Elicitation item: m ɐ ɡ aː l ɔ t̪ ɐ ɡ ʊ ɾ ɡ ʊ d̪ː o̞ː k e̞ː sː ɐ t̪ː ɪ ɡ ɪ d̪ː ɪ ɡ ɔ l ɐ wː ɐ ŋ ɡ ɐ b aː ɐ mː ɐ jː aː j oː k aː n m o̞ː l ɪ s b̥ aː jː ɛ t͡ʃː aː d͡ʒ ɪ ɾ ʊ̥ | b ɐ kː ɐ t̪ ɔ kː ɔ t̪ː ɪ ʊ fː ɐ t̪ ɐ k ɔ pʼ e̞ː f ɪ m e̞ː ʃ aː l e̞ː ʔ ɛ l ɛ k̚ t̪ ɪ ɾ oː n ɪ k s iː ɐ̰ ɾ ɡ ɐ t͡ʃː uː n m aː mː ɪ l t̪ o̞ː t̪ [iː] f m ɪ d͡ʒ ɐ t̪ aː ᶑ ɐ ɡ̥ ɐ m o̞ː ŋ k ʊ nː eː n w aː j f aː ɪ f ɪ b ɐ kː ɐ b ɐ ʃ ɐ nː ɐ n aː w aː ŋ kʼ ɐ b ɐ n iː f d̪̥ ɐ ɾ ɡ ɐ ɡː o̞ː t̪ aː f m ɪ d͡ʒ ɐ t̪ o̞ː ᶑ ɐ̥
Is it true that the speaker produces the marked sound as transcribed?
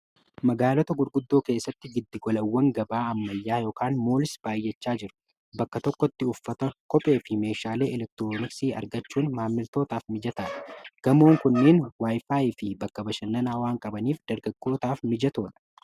no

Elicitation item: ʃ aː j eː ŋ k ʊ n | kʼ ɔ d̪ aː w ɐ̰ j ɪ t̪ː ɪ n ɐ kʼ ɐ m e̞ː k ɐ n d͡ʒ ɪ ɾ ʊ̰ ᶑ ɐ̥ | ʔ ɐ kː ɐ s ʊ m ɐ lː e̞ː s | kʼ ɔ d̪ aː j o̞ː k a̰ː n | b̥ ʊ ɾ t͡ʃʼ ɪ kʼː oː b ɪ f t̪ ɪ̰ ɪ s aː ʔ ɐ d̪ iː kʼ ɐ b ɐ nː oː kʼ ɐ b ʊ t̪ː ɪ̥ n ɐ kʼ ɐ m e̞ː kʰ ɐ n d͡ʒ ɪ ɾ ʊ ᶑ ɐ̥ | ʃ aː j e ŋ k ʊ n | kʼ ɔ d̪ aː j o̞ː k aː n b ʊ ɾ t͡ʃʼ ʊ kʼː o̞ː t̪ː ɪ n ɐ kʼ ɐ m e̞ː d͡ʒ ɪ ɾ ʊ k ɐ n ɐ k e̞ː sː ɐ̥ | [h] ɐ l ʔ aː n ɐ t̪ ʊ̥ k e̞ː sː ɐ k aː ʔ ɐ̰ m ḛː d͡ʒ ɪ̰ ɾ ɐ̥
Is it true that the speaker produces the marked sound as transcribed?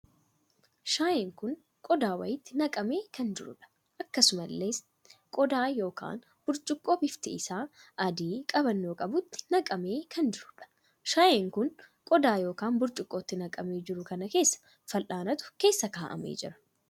no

